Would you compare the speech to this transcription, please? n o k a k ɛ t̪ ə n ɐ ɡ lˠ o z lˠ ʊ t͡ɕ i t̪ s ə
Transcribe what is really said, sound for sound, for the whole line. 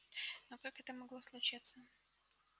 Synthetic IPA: n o k a k ɛ t̪ ə m ɐ ɡ lˠ o s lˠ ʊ t͡ɕ i t̪ s ə